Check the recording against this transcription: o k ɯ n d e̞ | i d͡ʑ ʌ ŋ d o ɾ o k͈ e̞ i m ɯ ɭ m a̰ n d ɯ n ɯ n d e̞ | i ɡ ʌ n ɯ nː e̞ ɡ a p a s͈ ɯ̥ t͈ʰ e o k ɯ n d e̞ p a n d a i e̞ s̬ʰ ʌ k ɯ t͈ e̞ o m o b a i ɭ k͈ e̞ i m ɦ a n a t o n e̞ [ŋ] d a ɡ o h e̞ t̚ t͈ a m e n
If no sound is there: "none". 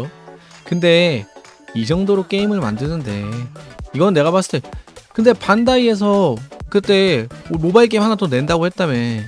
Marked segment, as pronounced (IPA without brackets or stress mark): n